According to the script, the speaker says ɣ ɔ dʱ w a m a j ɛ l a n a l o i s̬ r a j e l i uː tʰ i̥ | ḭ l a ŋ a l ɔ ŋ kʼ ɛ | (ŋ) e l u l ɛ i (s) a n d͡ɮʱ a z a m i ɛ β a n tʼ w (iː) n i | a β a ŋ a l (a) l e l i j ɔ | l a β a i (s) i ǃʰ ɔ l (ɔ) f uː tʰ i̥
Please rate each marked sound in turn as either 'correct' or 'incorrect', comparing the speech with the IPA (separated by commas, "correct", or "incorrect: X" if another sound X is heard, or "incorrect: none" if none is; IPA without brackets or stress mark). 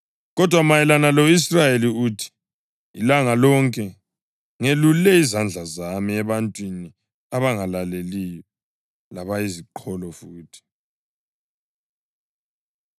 correct, incorrect: z, incorrect: i, correct, incorrect: z, correct